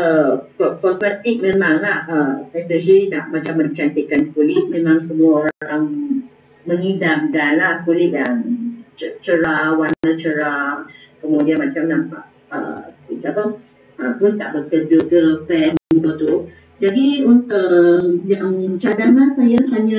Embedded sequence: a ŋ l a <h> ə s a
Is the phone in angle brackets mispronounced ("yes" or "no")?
no